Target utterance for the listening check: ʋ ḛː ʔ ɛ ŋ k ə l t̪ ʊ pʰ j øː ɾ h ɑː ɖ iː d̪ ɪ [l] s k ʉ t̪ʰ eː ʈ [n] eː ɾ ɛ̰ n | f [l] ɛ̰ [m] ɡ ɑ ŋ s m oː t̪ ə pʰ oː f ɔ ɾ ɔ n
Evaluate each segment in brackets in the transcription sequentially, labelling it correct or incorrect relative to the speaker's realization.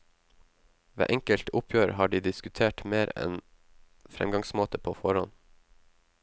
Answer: incorrect, incorrect, incorrect, correct

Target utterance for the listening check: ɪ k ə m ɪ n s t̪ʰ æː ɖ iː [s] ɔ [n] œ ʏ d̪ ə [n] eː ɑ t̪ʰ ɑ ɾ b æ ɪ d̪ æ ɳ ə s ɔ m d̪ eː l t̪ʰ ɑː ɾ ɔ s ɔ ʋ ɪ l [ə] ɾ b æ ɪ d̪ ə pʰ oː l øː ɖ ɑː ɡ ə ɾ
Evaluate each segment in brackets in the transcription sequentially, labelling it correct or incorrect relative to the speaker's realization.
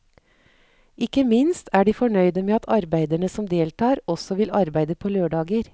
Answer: incorrect, incorrect, incorrect, incorrect

